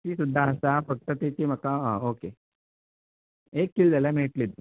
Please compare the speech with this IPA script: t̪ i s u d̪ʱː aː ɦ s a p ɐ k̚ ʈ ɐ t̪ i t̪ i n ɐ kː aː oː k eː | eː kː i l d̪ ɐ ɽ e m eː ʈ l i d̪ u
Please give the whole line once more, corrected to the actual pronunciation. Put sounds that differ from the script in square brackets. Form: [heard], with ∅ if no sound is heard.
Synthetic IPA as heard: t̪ i s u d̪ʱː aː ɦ s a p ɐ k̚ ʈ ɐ t̪ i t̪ i [m] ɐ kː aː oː k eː | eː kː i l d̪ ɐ [l] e m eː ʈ l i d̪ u